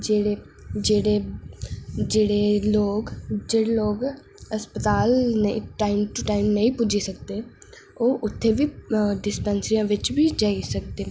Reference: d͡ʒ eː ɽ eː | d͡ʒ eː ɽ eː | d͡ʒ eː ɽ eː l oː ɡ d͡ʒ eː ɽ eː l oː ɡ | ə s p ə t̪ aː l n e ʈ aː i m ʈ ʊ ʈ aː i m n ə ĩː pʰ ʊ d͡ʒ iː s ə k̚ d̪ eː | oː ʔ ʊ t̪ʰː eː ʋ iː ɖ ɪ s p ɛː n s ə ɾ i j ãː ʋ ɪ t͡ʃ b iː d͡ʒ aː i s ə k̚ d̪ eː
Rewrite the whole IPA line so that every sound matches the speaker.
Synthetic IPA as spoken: d͡ʒ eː ɽ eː | d͡ʒ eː ɽ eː | d͡ʒ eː ɽ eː l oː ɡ d͡ʒ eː ɽ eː l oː ɡ | ə s p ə t̪ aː l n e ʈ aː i m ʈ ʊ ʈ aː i m n ə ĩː p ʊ d͡ʒ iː s ə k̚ d̪ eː | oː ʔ ʊ t̪ʰː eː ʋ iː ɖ ɪ s p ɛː n s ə ɾ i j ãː ʋ ɪ t͡ʃ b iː d͡ʒ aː i s ə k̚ d̪ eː